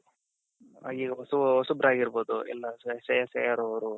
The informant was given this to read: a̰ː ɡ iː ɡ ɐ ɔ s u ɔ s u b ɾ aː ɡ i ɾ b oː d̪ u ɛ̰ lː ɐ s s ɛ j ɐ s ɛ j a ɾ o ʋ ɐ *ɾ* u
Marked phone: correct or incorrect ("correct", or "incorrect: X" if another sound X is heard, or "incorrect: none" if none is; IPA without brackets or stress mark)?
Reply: correct